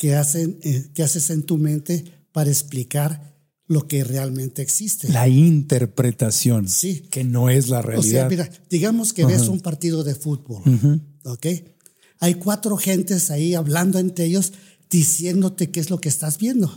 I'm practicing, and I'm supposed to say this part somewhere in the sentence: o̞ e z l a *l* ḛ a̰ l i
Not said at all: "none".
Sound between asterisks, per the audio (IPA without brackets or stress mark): r